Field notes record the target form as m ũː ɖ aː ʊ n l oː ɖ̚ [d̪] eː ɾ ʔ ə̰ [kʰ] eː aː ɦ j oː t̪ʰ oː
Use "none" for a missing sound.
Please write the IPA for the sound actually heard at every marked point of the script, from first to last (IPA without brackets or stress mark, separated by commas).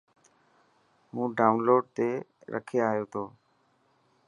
t̪, kʰ